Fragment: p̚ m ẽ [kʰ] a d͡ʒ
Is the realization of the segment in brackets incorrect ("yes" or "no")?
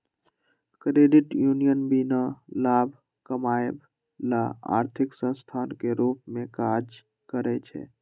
yes